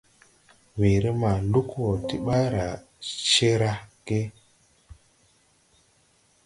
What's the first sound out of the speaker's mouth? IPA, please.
w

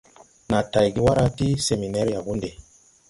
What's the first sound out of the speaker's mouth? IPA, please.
n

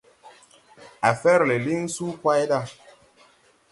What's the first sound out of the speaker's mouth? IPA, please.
a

